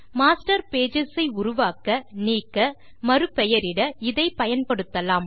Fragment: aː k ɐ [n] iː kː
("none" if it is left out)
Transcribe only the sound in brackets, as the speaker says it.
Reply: n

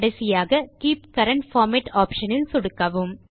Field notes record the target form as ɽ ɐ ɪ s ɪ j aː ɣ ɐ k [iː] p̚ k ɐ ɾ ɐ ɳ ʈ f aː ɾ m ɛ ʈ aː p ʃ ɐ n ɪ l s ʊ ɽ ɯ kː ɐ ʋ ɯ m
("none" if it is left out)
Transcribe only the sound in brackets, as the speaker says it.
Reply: iː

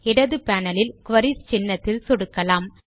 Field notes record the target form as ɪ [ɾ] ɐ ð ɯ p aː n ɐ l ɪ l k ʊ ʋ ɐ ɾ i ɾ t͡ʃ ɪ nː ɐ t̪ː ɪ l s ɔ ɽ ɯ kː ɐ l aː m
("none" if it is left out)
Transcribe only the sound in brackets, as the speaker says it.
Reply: ɽ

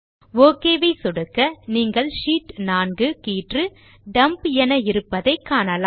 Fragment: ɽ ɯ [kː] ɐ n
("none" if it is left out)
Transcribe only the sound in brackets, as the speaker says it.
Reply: kː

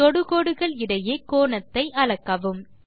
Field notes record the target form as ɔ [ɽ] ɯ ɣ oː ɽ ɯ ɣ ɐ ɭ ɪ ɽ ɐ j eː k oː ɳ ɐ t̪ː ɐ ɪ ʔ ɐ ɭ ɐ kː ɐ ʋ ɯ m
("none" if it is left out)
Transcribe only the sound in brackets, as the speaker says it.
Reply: ɽ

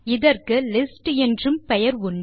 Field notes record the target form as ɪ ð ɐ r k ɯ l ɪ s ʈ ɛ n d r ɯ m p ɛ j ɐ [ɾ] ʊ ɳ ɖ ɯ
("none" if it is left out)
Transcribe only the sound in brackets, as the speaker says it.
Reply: ɾ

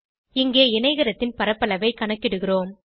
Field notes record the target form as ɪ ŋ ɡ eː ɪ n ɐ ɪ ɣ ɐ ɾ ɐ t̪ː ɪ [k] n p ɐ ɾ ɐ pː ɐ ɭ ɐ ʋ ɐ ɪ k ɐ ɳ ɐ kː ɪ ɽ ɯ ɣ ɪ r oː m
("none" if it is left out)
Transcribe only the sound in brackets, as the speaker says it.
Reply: none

